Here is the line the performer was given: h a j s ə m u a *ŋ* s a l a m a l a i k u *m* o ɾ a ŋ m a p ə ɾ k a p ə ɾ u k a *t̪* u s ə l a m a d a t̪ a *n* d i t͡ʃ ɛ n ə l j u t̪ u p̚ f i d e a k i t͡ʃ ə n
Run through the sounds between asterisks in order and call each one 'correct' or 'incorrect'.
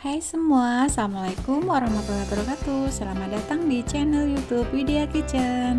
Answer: incorrect: none, correct, correct, incorrect: ŋ

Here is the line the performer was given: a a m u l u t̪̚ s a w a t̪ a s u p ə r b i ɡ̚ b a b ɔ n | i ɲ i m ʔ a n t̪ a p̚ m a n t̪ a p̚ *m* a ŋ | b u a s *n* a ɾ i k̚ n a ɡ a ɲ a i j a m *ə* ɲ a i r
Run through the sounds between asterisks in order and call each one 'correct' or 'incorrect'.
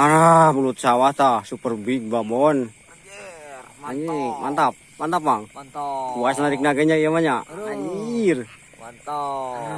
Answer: correct, correct, incorrect: a

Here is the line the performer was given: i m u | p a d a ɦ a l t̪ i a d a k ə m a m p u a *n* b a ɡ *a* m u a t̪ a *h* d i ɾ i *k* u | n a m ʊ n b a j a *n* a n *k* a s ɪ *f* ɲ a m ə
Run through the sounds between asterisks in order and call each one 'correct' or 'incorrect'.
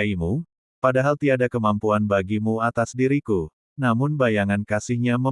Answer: correct, incorrect: i, incorrect: s, correct, incorrect: ŋ, correct, incorrect: h

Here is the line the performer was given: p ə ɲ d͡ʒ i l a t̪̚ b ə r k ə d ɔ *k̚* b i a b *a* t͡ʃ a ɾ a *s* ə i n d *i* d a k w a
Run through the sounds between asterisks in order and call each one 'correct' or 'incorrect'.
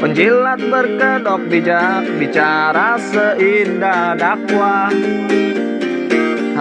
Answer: correct, incorrect: i, correct, incorrect: a

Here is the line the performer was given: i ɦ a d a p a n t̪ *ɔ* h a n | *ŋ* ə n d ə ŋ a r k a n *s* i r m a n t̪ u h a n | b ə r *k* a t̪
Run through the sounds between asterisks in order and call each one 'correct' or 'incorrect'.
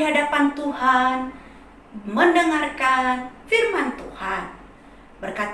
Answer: incorrect: u, incorrect: m, incorrect: f, correct

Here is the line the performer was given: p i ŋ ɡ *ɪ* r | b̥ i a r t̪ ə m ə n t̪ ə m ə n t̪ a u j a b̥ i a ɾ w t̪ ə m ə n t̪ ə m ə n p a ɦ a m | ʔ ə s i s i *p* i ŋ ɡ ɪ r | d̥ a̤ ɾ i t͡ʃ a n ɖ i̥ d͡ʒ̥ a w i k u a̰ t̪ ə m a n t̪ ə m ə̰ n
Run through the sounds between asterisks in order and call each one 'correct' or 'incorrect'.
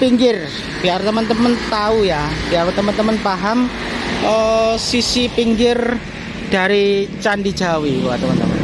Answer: correct, correct

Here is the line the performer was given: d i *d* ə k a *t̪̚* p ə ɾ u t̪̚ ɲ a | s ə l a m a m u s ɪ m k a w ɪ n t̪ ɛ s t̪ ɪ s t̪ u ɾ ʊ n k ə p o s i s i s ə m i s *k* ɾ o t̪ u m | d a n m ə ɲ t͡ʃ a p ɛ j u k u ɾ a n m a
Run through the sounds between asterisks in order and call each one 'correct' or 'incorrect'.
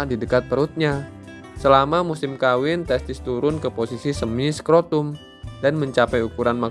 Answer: correct, correct, correct

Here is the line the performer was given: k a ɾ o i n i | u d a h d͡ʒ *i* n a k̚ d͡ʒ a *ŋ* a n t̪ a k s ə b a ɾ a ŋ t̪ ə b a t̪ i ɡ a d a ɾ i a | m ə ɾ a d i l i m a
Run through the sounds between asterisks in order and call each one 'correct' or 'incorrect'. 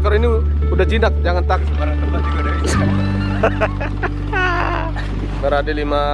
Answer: correct, correct

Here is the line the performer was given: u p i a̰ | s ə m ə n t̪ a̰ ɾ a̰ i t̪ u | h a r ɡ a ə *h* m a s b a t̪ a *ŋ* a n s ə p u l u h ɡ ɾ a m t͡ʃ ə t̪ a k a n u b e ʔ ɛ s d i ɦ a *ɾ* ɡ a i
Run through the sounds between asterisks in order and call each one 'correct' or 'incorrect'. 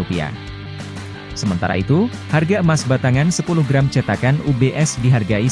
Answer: incorrect: none, correct, incorrect: r

